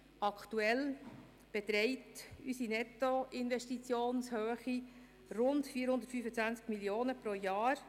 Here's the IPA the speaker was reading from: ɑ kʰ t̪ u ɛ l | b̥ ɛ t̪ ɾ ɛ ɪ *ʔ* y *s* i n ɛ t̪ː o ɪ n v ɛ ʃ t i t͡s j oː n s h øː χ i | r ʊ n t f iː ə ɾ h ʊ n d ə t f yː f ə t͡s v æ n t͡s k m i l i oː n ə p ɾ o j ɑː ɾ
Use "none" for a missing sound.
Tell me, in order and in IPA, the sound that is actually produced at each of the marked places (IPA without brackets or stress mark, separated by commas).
t, s